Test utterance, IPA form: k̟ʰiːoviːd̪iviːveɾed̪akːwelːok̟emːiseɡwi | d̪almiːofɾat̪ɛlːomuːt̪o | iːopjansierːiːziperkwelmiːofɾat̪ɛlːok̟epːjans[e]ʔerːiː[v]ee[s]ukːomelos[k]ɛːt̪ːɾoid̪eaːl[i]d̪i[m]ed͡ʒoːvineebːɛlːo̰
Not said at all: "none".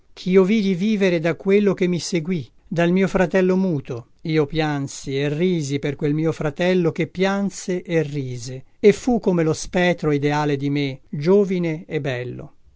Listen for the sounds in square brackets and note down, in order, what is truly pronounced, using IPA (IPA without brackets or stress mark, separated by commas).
e, z, f, p, e, m